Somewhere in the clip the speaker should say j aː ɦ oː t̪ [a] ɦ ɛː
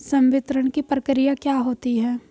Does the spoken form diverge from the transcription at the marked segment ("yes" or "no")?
yes